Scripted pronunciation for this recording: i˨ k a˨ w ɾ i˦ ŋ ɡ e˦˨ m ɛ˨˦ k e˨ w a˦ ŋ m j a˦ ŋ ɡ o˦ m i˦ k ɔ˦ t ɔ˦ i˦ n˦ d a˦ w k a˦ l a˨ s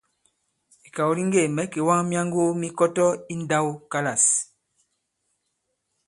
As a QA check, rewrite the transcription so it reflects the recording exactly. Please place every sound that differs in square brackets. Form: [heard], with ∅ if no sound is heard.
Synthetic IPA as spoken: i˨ k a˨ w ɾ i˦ ŋ ɡ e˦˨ m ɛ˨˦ k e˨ w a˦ ŋ m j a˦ ŋ ɡ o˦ m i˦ k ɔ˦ t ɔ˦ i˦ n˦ d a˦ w k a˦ l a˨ s

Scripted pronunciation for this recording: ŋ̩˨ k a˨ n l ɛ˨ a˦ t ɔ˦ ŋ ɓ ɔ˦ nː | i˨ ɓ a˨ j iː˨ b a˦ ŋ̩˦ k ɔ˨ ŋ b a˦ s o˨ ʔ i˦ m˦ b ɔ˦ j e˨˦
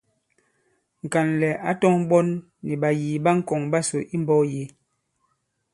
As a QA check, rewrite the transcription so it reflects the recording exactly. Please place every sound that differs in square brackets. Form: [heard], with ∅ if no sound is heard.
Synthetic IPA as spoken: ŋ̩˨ k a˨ n l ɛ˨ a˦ t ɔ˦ ŋ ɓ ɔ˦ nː | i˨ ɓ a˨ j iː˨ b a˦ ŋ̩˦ k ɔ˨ ŋ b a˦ s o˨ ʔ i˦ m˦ b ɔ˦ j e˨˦

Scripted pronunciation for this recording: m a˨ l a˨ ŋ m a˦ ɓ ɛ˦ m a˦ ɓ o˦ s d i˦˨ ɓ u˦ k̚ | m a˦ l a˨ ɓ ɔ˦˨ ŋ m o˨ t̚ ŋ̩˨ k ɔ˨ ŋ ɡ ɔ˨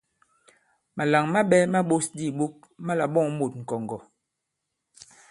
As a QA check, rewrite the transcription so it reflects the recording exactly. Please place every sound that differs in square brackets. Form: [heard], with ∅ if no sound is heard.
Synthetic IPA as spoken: m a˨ l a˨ ŋ m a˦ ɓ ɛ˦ m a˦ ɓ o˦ s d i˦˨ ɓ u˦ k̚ | m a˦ l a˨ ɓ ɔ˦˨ ŋ m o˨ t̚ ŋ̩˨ k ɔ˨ ŋ ɡ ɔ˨

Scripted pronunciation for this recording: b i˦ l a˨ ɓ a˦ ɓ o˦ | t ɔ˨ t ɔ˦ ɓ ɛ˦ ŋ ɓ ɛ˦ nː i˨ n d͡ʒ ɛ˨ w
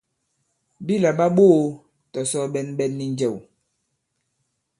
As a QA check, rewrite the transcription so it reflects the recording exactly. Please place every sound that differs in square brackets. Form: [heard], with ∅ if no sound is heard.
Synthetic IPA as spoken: b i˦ l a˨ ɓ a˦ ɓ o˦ | t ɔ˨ [s] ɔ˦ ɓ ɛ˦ [n] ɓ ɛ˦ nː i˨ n d͡ʒ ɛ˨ w

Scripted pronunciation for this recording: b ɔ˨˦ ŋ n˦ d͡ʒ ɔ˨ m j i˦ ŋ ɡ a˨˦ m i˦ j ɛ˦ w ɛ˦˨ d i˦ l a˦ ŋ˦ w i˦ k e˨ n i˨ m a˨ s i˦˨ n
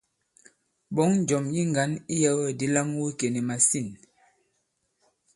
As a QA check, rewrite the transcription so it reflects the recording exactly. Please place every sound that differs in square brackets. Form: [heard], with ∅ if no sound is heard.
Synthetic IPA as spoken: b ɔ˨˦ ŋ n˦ d͡ʒ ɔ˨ m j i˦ ŋ ɡ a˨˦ [n] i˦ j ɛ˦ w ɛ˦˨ d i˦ l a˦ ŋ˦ w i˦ k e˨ n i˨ m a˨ s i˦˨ n

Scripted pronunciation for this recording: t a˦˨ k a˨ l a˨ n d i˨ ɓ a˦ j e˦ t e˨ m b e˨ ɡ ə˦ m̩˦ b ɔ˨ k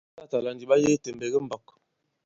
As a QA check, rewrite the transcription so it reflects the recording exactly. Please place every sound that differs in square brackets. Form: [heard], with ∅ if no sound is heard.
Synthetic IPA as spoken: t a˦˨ [t] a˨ l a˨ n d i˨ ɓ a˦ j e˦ t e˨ m b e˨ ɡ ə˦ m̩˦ b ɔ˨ k

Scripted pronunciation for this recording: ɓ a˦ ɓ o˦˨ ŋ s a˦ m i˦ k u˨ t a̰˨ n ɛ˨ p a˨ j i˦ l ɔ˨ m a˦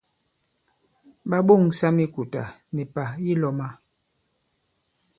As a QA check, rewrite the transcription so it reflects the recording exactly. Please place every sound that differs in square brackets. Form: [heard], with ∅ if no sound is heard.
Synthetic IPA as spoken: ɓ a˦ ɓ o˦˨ ŋ s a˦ m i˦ k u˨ t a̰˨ n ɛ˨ p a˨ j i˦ l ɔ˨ m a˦

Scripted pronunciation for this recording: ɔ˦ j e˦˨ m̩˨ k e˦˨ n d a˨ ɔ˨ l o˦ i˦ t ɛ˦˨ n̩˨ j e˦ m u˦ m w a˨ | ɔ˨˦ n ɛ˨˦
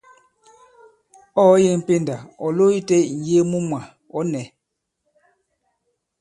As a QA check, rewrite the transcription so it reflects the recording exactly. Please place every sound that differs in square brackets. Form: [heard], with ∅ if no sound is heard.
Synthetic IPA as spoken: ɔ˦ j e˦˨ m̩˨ [p] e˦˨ n d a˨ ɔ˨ l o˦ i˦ t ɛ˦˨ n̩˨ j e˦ m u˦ m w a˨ | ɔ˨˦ n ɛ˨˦

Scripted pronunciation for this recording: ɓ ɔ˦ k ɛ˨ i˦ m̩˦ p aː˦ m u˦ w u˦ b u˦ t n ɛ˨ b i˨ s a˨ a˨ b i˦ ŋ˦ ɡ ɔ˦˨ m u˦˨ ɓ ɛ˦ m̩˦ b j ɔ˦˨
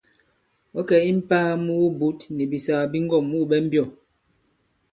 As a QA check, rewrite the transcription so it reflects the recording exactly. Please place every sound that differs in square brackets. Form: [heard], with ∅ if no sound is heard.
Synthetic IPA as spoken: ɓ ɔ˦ k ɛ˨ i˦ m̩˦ p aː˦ m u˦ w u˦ b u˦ t n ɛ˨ b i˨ s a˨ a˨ b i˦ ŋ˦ ɡ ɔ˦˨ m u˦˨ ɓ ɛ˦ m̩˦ b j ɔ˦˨

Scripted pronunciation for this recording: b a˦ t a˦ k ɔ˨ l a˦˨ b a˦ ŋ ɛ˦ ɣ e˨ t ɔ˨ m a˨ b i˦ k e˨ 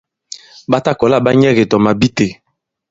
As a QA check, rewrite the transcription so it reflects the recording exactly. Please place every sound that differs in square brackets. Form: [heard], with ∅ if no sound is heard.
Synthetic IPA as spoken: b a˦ t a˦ k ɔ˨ l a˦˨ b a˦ [ɲ] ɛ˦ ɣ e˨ t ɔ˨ m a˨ b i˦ [t] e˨

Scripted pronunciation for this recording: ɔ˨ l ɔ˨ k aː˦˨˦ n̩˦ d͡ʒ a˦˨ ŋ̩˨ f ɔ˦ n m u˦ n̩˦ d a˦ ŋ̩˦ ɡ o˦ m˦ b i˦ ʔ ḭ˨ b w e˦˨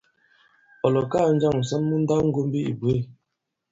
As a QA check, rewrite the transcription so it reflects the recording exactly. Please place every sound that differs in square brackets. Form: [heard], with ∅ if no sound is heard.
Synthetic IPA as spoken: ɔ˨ l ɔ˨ k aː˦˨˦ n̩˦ d͡ʒ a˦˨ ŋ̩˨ [s] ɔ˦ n m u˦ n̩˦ d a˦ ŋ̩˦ ɡ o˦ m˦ b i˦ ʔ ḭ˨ b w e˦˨

